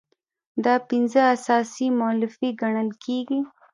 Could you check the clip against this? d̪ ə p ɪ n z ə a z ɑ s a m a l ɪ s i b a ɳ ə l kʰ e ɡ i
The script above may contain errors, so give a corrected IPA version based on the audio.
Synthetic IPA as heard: d̪ ɑ p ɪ n z ə a s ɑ s i m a l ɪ f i ɡ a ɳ ə l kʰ e ɡ i